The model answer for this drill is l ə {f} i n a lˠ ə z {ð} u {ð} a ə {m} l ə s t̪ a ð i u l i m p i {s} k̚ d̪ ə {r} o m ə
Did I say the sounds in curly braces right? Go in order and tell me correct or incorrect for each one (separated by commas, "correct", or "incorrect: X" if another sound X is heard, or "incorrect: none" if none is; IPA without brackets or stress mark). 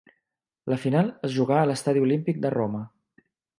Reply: correct, incorrect: ʒ, incorrect: ɣ, incorrect: none, incorrect: none, correct